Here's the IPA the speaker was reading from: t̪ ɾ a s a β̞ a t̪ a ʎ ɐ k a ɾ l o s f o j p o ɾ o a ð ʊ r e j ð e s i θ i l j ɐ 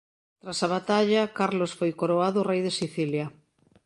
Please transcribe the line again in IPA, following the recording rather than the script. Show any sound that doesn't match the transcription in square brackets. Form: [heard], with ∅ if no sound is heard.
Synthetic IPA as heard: t̪ ɾ a s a β̞ a t̪ a ʎ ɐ k a ɾ l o s f o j [k] o ɾ o a ð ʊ r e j ð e s i θ i l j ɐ